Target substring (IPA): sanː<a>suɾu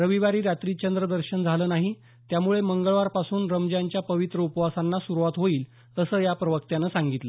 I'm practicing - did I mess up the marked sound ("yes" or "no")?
no